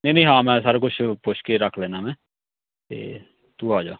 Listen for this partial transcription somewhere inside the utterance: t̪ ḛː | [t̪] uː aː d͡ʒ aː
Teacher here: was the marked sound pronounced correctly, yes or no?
yes